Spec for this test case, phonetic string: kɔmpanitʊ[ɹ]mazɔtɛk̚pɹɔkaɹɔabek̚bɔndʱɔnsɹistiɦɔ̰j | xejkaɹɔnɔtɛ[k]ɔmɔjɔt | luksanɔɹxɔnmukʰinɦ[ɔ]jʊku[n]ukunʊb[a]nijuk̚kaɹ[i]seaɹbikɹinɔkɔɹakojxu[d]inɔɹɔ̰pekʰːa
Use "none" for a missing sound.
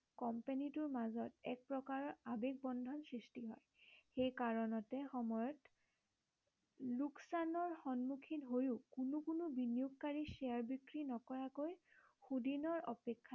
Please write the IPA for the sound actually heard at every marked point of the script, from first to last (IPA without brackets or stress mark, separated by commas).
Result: ɹ, x, o, n, i, i, d